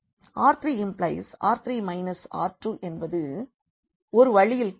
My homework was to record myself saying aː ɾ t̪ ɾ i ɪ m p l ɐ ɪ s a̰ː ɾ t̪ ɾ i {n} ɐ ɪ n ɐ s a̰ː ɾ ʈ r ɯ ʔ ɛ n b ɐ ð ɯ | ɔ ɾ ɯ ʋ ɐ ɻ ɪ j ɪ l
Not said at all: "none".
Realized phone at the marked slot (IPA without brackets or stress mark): m